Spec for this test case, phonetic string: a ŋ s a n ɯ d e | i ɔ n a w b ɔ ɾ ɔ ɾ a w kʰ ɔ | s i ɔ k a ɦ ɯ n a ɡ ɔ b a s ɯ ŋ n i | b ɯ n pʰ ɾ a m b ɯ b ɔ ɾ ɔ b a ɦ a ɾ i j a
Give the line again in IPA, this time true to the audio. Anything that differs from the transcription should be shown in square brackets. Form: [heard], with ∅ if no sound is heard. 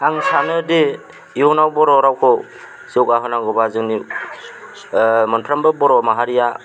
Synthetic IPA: a ŋ s a n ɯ d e | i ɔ n a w b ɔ ɾ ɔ ɾ a w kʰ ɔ | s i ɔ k a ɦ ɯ n a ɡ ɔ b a [z] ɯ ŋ n i | [m] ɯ n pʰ ɾ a m b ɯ b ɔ ɾ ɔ [m] a ɦ a ɾ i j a